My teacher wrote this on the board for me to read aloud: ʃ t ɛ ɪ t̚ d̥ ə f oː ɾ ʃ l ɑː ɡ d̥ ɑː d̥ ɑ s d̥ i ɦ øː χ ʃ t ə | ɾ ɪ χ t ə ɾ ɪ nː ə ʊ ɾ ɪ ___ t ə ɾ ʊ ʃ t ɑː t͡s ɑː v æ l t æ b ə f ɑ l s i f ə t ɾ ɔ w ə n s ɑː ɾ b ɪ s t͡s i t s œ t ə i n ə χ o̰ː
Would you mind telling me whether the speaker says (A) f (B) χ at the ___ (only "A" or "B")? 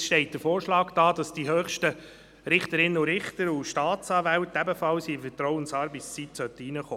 B